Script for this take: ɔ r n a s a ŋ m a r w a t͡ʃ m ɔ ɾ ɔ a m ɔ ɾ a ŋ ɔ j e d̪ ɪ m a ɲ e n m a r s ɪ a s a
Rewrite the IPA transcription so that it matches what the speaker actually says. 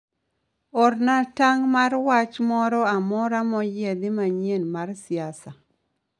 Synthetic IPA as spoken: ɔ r n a t a ŋ m a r w a t͡ʃ m ɔ ɾ ɔ a m ɔ ɾ a m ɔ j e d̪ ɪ m a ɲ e n m a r s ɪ a s a